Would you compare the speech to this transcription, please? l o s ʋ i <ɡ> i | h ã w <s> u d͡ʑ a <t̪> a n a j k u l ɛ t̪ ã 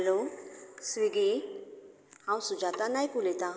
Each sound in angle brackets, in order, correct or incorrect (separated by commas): correct, correct, correct